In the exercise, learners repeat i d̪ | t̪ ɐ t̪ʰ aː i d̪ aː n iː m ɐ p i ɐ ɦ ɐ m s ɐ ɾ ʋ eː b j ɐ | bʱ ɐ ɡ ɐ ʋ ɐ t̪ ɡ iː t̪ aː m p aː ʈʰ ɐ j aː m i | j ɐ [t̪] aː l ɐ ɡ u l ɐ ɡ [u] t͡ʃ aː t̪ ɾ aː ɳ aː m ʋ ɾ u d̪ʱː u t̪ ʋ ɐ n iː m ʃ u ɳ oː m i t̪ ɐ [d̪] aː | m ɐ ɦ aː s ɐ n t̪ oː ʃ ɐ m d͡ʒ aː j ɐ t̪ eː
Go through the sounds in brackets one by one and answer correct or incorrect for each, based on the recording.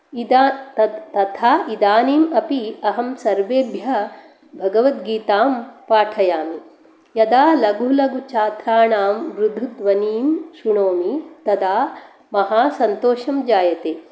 incorrect: d̪, correct, correct

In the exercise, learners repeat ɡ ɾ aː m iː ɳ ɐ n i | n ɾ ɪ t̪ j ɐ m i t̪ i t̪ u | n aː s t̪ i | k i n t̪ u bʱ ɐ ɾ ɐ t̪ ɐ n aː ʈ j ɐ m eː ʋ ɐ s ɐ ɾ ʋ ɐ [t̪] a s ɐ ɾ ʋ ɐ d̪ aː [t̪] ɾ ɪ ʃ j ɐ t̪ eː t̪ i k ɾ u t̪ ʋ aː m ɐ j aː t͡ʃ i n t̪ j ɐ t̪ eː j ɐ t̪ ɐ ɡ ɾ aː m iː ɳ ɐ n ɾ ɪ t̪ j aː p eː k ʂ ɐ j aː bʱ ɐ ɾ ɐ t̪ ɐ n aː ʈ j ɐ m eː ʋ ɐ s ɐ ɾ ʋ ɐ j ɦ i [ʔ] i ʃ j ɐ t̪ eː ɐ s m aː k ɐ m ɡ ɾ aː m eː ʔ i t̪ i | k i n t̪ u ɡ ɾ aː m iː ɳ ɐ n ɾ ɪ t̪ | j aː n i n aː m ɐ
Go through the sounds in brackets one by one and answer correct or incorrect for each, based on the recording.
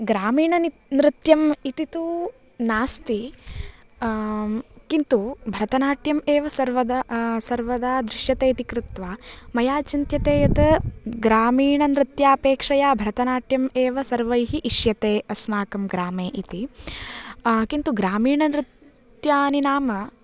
incorrect: d̪, incorrect: d̪, correct

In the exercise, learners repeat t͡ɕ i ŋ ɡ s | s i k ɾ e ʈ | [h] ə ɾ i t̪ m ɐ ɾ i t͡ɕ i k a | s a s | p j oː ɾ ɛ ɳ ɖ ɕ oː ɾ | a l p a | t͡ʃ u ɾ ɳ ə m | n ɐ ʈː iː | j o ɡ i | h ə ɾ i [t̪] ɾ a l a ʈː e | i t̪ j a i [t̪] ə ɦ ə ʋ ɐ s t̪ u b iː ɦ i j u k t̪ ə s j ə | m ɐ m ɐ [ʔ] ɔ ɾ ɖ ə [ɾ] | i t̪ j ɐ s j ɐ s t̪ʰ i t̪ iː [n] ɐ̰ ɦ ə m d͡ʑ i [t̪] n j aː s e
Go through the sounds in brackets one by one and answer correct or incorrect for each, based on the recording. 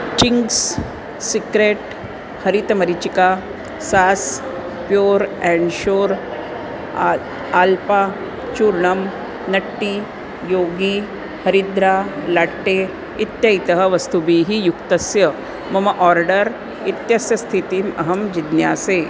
correct, incorrect: d̪, correct, correct, correct, incorrect: m, incorrect: d̪

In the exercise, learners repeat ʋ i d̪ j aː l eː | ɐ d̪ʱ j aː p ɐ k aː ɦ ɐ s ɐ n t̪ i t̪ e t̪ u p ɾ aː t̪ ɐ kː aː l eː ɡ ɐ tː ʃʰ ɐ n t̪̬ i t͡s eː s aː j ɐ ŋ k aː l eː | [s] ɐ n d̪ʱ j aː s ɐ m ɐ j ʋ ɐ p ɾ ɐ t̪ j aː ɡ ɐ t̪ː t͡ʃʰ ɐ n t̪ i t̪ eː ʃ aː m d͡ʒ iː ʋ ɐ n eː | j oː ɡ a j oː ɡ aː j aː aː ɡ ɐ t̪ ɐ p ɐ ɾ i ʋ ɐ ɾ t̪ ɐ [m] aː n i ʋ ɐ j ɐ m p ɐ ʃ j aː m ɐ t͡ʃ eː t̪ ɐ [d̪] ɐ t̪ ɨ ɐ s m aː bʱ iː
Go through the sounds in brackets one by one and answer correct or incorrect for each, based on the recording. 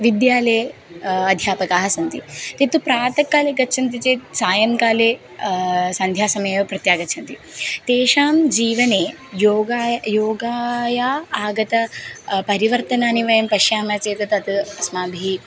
correct, incorrect: n, incorrect: t̪

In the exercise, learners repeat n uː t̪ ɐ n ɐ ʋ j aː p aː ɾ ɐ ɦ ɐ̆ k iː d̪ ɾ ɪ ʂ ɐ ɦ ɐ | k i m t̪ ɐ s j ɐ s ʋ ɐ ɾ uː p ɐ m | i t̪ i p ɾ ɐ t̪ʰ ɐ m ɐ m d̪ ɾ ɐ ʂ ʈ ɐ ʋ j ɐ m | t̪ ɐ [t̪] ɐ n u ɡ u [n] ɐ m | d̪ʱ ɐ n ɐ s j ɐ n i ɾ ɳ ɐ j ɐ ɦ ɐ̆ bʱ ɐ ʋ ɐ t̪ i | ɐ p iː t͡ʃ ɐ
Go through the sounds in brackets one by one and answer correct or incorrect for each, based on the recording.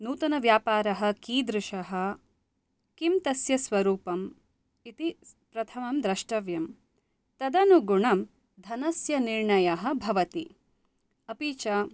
incorrect: d̪, incorrect: ɳ

